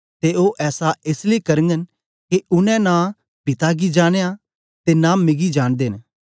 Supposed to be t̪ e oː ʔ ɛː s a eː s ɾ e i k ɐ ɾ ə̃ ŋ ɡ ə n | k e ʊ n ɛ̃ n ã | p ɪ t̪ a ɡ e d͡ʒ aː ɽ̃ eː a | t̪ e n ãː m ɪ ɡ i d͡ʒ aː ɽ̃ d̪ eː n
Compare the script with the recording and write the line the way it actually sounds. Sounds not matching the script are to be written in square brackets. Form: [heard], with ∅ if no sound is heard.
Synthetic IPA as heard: t̪ e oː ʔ ɛː s a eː s [l] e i k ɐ ɾ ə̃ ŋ ɡ ə n | k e ʊ n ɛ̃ n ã | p ɪ t̪ a ɡ [i] d͡ʒ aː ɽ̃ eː a | t̪ e n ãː m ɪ ɡ i d͡ʒ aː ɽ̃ d̪ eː n

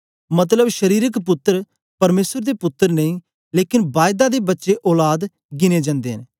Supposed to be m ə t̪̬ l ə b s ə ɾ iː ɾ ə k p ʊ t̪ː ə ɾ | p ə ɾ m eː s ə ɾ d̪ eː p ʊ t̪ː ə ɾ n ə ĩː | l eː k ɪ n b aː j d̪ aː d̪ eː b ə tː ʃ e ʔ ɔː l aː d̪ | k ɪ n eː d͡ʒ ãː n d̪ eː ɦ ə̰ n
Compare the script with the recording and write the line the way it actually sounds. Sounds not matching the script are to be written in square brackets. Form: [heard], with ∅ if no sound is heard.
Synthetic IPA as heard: m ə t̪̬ l ə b [ʃ] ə ɾ iː ɾ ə k p ʊ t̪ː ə ɾ | p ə ɾ m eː s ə ɾ d̪ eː p ʊ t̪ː ə ɾ n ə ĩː | l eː k ɪ n b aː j d̪ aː d̪ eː b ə tː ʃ e ʔ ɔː l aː d̪ | [ɡ] ɪ n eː d͡ʒ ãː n d̪ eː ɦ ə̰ n

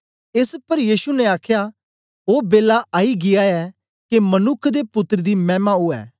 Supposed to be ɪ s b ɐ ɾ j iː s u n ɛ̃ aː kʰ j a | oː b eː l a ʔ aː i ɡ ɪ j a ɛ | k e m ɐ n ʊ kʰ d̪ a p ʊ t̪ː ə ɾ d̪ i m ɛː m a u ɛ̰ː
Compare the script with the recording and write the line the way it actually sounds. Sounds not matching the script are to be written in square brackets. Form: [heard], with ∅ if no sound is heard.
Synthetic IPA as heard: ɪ s [p] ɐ ɾ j iː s u n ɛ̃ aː kʰ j a | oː b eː l a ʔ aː i ɡ ɪ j a ɛ | k e m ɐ n ʊ kʰ d̪ [e] p ʊ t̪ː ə ɾ d̪ i m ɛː m a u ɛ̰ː

